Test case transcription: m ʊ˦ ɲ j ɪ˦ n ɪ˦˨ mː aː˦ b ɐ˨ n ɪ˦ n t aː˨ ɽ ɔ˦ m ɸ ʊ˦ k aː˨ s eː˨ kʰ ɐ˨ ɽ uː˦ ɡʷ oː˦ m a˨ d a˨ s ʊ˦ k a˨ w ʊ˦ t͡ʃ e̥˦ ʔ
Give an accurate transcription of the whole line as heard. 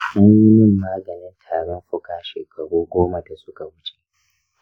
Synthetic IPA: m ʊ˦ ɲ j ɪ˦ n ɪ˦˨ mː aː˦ ɡ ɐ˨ n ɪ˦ n tʰ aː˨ ɽ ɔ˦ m ɸ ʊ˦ k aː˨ ʃ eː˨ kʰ ɐ˨ ɽ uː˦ ɡʷ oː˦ m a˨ d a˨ s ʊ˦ k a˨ w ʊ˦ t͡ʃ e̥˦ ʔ